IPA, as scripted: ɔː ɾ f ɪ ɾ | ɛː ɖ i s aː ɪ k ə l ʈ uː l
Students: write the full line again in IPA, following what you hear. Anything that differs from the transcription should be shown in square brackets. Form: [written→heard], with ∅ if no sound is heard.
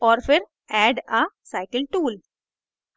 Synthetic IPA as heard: ɔː ɾ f ɪ ɾ | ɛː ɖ [i→a] s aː ɪ k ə l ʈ uː l